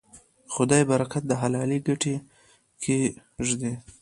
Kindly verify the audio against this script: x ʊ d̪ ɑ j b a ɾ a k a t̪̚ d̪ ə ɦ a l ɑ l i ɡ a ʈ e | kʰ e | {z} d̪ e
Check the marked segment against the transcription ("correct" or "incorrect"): incorrect